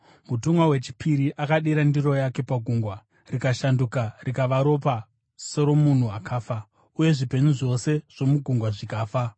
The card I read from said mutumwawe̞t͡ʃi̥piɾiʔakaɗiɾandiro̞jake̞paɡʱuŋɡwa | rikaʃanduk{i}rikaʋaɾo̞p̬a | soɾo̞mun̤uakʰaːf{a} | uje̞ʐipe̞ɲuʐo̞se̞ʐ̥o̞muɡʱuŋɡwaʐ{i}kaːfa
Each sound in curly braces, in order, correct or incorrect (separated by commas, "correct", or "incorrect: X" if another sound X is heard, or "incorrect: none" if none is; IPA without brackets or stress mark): incorrect: a, correct, correct